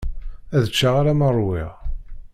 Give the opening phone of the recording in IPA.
æ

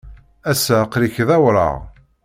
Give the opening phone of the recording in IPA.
æ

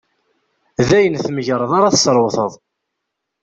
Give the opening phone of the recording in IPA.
ð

